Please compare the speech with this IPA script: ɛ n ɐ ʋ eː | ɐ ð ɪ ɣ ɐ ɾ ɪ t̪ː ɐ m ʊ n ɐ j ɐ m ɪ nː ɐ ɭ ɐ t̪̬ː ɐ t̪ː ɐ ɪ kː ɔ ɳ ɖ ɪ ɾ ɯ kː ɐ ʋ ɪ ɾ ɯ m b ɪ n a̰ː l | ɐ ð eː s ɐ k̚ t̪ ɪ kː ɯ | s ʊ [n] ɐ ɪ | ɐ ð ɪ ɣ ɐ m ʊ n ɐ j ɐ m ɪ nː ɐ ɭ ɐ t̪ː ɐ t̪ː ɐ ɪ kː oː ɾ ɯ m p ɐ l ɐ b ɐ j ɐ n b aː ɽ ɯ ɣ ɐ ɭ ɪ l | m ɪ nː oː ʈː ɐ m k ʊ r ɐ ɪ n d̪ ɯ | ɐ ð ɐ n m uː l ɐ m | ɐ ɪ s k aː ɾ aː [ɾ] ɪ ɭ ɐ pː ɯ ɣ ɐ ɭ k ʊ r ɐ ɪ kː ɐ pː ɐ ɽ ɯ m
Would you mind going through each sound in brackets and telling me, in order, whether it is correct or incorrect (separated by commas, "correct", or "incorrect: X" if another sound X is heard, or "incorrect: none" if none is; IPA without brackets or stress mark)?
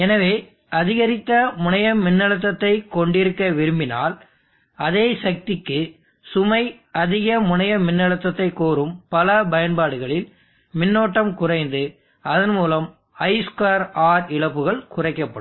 incorrect: m, correct